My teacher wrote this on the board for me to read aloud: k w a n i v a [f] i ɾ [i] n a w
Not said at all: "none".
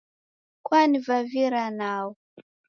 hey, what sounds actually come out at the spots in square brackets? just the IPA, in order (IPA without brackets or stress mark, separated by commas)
v, a